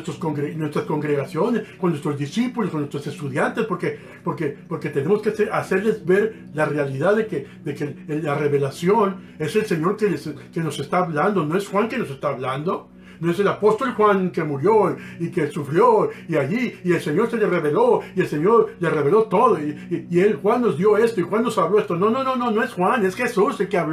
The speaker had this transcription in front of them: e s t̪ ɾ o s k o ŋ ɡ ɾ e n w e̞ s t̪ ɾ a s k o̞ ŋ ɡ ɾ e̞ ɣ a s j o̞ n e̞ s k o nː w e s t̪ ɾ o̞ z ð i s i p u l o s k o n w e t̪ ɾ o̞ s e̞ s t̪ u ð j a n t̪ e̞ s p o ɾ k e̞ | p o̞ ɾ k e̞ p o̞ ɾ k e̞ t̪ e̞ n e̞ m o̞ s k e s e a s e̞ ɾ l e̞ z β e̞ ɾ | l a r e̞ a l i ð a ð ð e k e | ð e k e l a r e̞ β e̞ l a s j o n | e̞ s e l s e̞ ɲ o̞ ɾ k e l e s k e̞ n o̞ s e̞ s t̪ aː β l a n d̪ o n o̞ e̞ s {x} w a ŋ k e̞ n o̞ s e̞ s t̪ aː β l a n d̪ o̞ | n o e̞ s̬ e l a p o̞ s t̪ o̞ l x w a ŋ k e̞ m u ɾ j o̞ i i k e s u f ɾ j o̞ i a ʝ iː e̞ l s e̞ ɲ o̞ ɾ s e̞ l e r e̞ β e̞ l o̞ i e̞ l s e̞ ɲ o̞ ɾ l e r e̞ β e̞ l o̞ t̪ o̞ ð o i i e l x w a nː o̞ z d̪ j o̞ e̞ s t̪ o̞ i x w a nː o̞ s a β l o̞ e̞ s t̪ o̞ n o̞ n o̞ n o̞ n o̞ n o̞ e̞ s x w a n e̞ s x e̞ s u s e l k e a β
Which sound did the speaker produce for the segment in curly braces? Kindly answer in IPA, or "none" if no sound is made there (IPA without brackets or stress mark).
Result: x